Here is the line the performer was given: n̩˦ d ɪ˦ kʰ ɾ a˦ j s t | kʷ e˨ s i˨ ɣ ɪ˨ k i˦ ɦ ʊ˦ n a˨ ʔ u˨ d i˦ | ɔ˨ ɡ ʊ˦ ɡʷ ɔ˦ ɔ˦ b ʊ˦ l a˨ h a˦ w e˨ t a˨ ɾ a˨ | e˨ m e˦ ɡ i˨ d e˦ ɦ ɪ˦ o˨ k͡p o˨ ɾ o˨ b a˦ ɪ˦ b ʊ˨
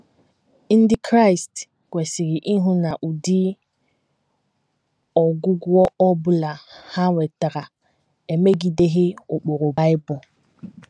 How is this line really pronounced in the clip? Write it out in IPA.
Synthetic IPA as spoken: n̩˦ d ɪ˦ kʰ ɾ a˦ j s t | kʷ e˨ s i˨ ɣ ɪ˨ ʔ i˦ ɦ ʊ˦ n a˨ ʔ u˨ d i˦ | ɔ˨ ɡ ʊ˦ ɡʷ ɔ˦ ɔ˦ b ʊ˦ l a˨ h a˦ w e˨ t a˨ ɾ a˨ | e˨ m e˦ ɡ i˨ d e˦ ɦ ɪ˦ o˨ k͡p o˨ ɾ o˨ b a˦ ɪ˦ b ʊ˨